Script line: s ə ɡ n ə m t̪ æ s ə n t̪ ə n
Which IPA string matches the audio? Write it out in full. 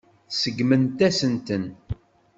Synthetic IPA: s ə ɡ m ə n t̪ æ s ə n t̪ ə n